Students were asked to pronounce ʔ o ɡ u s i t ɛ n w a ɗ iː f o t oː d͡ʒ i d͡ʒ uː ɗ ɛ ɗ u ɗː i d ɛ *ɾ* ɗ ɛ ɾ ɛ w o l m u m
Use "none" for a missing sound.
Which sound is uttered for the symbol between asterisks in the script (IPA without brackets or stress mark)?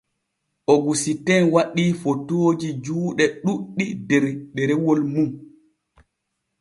ɾ